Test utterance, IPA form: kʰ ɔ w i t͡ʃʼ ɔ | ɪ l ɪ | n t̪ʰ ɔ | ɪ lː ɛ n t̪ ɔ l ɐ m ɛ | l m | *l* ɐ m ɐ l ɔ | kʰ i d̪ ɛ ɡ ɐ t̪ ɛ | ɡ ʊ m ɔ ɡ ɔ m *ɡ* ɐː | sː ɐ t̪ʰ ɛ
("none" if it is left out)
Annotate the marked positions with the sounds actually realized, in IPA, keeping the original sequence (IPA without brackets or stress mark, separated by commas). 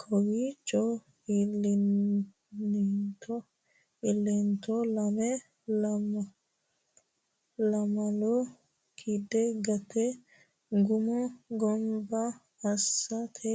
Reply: l, b